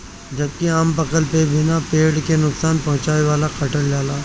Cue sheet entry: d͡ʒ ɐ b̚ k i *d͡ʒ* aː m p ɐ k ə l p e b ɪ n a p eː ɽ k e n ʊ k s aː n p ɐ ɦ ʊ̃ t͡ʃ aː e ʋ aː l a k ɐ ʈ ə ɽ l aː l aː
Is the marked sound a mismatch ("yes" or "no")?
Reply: yes